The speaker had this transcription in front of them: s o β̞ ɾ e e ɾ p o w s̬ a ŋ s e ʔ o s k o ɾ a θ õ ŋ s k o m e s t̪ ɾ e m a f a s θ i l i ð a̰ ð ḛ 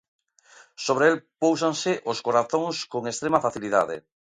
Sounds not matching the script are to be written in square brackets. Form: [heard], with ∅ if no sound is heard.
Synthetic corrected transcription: s o β̞ ɾ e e [l] p o w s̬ a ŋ s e ʔ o s k o ɾ a θ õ ŋ s k o [ŋ] e s t̪ ɾ e m a f a [∅] θ i l i ð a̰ ð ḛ